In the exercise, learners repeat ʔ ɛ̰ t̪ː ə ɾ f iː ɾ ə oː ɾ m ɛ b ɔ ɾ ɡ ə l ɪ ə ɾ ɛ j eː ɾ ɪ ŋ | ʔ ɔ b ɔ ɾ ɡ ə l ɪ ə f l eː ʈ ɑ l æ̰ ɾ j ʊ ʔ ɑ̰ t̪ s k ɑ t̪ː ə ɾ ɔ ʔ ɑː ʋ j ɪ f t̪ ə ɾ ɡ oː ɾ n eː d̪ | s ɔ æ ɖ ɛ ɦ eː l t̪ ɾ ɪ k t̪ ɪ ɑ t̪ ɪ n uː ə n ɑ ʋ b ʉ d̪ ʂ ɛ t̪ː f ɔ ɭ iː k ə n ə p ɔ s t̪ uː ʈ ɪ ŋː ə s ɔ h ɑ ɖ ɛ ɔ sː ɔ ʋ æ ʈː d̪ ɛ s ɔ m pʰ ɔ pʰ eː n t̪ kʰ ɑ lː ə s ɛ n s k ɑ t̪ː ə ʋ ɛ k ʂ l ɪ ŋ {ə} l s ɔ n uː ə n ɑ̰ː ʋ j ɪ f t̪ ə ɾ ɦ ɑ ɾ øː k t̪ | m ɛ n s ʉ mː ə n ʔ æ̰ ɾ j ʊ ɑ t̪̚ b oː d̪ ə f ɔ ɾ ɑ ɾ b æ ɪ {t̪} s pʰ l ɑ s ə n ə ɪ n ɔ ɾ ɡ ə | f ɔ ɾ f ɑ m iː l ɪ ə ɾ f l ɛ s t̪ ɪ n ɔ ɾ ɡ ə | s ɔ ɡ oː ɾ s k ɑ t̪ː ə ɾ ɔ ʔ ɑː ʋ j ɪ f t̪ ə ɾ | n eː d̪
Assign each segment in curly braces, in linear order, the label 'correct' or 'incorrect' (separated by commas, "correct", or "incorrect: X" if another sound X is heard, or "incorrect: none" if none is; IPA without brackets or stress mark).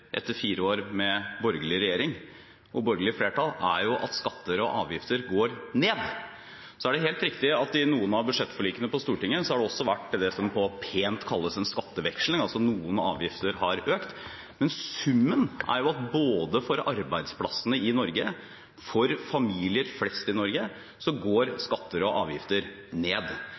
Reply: incorrect: ɑ, incorrect: d̪